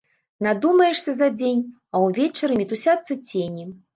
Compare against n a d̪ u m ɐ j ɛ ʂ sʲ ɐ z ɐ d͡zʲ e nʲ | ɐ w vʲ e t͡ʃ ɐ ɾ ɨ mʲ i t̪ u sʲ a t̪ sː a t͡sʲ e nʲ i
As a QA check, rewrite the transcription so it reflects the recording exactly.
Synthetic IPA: n a d̪ u m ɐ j ɛ ʂ sʲ ɐ z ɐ d͡zʲ e nʲ | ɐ w vʲ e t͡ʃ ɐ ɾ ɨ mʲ i t̪ u sʲ a t̪ sː ɐ t͡sʲ e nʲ i